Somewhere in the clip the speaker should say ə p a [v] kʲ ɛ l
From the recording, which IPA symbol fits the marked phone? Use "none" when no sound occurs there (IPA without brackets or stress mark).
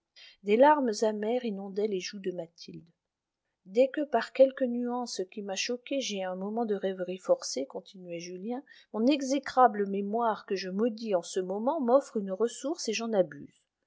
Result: ʁ